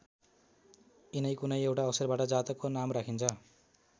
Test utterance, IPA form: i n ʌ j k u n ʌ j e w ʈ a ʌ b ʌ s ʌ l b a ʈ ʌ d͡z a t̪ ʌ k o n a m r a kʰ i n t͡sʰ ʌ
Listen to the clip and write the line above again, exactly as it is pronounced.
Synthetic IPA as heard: i n ʌ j k u n ʌ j e w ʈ a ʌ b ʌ s ʌ r b a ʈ ʌ d͡z a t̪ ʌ k o n a m r a kʰ i n t͡sʰ ʌ